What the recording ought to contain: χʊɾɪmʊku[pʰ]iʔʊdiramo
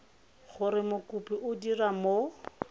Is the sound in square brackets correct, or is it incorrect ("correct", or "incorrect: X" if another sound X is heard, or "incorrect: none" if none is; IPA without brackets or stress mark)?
incorrect: p